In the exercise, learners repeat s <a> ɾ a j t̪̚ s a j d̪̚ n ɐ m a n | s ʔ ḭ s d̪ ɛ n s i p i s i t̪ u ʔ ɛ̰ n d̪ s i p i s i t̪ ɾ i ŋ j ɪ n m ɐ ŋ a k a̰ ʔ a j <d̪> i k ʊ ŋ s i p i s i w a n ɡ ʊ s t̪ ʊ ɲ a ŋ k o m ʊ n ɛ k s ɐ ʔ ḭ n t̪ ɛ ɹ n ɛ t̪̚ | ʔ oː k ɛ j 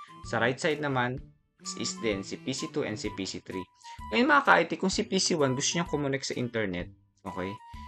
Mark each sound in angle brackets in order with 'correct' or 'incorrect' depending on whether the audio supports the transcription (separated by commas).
incorrect, incorrect